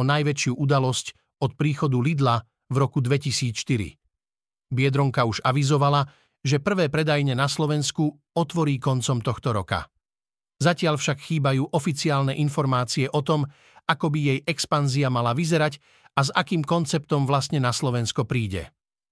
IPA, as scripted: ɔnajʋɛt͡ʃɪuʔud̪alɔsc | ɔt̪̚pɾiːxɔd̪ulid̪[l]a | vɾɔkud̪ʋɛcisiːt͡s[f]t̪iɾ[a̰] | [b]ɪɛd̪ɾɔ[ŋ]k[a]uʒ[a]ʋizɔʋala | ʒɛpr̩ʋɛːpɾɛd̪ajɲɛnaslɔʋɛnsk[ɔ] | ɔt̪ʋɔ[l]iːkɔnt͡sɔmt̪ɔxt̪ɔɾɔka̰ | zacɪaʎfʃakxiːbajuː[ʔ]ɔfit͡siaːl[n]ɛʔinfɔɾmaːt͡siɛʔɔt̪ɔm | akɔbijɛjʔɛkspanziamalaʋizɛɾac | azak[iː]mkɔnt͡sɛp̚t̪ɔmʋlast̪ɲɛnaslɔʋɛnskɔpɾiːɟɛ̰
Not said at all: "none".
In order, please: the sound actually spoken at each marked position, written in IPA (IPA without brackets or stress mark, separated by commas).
l, ʃ, ḭ, b, ŋ, a, a, u, ɾ, ʔ, n, iː